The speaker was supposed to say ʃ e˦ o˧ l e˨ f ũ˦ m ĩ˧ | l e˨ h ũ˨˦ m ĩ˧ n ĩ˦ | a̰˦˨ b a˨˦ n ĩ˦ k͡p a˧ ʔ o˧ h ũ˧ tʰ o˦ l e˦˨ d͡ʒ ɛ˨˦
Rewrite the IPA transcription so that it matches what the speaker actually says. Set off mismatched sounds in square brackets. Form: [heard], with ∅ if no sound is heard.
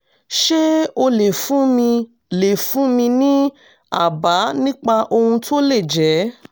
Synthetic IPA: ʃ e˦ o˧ l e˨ f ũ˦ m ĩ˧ | l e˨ [f] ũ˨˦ m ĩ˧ n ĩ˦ | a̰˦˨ b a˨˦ n ĩ˦ k͡p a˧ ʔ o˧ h ũ˧ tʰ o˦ l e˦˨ d͡ʒ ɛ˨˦